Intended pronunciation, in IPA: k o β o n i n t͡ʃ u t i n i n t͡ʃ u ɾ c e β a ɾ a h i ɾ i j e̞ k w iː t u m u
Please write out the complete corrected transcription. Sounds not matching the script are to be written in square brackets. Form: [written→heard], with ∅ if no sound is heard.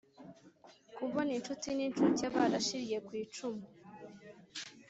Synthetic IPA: k [o→u] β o n i n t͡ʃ u t i n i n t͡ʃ u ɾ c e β a ɾ a [h→ʃ] i ɾ i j e̞ k w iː [t→t͡ʃ] u m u